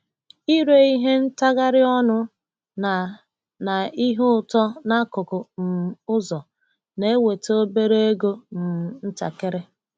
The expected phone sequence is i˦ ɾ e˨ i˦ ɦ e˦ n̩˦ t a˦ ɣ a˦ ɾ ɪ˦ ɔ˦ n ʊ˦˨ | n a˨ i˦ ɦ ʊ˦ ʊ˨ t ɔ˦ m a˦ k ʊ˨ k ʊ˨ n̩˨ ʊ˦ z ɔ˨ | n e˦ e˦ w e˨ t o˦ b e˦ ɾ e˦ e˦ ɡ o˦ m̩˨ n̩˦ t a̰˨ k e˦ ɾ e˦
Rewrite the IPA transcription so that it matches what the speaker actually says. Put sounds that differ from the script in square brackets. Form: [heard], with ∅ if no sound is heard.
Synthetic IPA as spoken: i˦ ɾ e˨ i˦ ɦ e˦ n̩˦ t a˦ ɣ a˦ ɾ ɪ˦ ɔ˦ n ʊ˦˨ | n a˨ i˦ ɦ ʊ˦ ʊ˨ t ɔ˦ [n] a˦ k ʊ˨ k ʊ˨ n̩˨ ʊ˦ z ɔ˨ | n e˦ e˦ w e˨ t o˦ b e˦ ɾ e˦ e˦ ɡ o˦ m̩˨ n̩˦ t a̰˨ k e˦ ɾ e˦